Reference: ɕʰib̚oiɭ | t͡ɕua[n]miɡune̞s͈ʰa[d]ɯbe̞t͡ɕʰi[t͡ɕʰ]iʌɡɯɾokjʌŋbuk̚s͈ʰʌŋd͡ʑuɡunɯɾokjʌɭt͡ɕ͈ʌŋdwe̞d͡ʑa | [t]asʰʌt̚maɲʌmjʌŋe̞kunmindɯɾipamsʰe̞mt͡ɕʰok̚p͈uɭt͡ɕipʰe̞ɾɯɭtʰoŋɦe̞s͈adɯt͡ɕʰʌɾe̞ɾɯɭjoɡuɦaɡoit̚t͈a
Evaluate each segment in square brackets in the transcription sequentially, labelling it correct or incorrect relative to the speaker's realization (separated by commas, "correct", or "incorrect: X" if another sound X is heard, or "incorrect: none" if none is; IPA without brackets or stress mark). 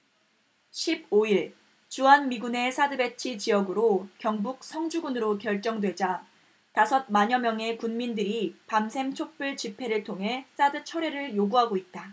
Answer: correct, correct, incorrect: t͡ɕ, correct